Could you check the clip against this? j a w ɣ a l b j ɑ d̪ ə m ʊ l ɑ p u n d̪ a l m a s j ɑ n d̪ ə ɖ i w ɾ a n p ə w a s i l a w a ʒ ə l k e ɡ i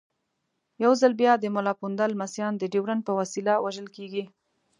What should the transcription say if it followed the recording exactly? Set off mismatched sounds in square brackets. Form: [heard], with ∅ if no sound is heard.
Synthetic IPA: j a w [z] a l b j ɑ d̪ ə m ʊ l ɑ p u n d̪ a l m a s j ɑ n d̪ ə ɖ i w ɾ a n p ə w a s i l a w a ʒ ə l k e ɡ i